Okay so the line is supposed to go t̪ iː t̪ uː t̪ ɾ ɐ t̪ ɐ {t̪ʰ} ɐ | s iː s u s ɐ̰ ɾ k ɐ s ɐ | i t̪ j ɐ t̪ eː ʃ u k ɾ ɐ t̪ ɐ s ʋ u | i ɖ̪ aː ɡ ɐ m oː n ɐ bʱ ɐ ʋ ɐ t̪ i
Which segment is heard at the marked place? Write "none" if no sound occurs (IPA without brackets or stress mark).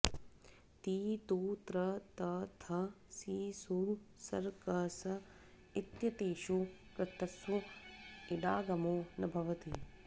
t̪ʰ